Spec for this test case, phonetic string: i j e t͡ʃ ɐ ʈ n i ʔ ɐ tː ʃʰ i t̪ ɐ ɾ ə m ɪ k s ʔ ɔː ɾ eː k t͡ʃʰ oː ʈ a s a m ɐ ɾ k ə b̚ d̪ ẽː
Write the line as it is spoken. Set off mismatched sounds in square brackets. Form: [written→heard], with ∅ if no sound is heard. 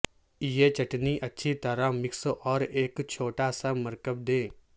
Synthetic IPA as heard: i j e t͡ʃ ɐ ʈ n i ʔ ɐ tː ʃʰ i t̪ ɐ ɾ [ə→a] m ɪ k s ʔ ɔː ɾ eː k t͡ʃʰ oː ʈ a s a m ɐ ɾ k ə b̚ d̪ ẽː

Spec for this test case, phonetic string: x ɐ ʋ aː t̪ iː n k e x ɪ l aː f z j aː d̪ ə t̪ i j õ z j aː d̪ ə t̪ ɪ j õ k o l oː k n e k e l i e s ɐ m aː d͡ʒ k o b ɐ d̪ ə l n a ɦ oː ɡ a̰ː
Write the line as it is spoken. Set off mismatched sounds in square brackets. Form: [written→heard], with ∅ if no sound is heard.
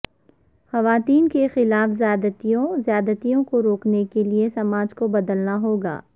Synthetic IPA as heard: x ɐ ʋ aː t̪ iː n k e x ɪ l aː f z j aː d̪ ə t̪ i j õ z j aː d̪ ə t̪ [ɪ→i] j õ k o [l→ɾ] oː k n e k e l i e s ɐ m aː d͡ʒ k o b ɐ d̪ ə l n a ɦ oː ɡ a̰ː

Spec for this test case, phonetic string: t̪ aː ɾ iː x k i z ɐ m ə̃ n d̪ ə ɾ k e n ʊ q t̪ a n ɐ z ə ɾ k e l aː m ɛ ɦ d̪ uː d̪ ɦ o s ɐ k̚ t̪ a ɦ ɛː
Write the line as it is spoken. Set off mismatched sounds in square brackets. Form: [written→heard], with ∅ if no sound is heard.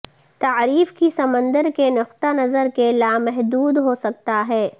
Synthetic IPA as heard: t̪ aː ɾ iː [x→f] k i [z→s] ɐ m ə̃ n d̪ ə ɾ k e n ʊ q t̪ a n ɐ z ə ɾ k e l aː m ɛ ɦ d̪ uː d̪ ɦ o s ɐ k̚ t̪ a ɦ ɛː

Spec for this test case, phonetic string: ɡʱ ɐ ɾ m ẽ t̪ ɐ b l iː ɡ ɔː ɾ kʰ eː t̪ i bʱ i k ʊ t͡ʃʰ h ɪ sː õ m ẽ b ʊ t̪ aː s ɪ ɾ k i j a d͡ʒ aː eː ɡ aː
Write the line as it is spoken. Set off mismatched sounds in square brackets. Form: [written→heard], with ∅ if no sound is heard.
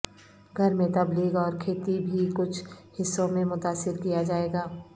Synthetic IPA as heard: ɡʱ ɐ ɾ m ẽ t̪ ɐ b l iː ɡ ɔː ɾ kʰ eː t̪ i bʱ i k ʊ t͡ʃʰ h ɪ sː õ m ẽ [b→m] ʊ t̪ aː s ɪ ɾ k i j a d͡ʒ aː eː ɡ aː

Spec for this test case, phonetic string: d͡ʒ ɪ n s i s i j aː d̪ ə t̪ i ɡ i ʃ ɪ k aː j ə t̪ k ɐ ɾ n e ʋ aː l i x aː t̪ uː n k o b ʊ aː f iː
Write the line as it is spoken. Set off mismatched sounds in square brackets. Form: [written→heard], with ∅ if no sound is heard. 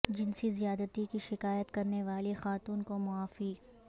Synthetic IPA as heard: d͡ʒ ɪ n s i [s→z] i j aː d̪ ə t̪ i [ɡ→k] i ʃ ɪ k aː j ə t̪ k ɐ ɾ n e ʋ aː l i x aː t̪ uː n k o [b→m] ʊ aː f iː

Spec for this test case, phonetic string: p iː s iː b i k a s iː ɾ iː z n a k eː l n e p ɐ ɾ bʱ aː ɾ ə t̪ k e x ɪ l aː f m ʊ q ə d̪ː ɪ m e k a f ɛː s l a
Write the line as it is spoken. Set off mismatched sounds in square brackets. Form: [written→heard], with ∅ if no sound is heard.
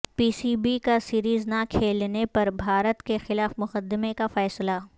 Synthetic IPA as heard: p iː s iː b i k a s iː ɾ iː z n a [k→kʰ] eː l n e p ɐ ɾ bʱ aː ɾ ə t̪ k e x ɪ l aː f m ʊ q ə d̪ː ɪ m e k a f ɛː s l a

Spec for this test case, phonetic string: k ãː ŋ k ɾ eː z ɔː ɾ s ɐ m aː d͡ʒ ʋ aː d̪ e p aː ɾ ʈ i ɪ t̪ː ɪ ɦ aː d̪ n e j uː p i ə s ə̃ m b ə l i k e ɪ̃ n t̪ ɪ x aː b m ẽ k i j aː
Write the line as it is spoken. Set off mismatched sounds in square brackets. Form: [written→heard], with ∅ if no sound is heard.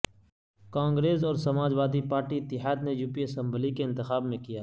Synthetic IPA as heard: k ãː ŋ [k→ɡ] ɾ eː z ɔː ɾ s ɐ m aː d͡ʒ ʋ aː d̪ [e→i] p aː ɾ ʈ i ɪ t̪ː ɪ ɦ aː d̪ n e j uː p i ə s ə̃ m b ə l i k e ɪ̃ n t̪ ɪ x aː b m ẽ k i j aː

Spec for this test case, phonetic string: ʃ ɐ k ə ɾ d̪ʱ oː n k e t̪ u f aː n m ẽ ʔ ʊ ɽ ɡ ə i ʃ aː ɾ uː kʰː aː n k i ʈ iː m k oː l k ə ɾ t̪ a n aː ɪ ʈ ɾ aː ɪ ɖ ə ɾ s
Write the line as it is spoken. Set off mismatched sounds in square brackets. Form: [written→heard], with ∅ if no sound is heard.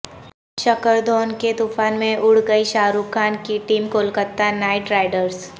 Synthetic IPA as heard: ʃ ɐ k ə ɾ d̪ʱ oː n k e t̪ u f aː n m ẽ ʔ ʊ ɽ ɡ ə i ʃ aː ɾ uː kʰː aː n k i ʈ iː m k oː l k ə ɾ t̪ a n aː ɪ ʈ ɾ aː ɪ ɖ ə ɾ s

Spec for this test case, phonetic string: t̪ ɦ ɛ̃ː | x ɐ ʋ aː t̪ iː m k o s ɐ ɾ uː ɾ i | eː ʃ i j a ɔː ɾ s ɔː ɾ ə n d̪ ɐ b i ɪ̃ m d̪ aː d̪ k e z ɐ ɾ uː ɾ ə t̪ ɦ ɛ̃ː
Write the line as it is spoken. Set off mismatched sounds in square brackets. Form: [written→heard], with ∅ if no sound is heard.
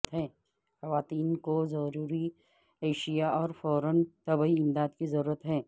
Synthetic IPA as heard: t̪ ɦ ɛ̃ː | x ɐ ʋ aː t̪ iː [m→n] k o [s→z] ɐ ɾ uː ɾ i | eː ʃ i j a ɔː ɾ [s→f] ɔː ɾ ə n [d̪→t̪] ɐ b i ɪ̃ m d̪ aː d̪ k [e→i] z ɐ ɾ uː ɾ ə t̪ ɦ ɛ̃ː

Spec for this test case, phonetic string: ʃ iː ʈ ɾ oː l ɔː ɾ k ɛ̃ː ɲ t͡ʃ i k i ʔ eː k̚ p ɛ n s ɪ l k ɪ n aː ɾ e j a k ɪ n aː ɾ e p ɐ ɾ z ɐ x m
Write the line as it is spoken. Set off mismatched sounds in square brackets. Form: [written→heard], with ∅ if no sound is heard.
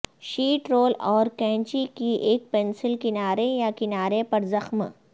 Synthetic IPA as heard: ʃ iː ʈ ɾ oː l ɔː ɾ k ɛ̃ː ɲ t͡ʃ i k i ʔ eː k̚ p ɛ n s ɪ l k ɪ n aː ɾ e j a k ɪ n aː ɾ e p ɐ ɾ z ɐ x m

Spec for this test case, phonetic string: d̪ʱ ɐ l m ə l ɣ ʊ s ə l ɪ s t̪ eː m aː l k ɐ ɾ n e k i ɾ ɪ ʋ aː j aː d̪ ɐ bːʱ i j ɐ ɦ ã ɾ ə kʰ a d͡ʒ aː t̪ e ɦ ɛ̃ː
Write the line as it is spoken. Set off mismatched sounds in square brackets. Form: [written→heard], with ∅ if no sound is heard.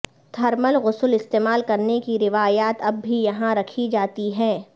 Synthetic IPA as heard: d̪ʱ ɐ [l→ɾ] m ə l ɣ ʊ s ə l ɪ s t̪ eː m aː l k ɐ ɾ n e k i ɾ ɪ ʋ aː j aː [d̪→t̪] ɐ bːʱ i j ɐ ɦ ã ɾ [ə→ɐ] kʰ [a→i] d͡ʒ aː t̪ [e→i] ɦ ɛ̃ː

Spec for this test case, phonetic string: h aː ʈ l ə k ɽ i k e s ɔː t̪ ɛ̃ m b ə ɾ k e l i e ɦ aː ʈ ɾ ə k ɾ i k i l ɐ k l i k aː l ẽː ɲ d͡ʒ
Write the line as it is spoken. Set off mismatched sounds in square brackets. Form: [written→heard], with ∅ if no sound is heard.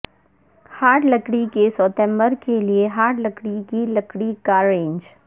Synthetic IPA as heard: h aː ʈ l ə k ɽ i k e s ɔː t̪ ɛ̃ m b ə ɾ k e l i e ɦ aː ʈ [ɾ→l] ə k [ɾ→ɽ] i k i l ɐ k [l→ɽ] i k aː [l→ɾ] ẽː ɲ d͡ʒ

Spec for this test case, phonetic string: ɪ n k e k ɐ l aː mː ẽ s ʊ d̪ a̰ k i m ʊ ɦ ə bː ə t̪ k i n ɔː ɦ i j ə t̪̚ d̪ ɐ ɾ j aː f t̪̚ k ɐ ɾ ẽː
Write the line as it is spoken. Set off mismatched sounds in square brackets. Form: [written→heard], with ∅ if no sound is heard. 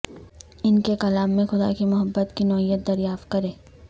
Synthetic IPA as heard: ɪ n k e k ɐ l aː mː ẽ [s→x] ʊ d̪ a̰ k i m ʊ ɦ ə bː ə t̪ k i n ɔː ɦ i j ə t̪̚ d̪ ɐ ɾ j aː f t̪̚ k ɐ ɾ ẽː

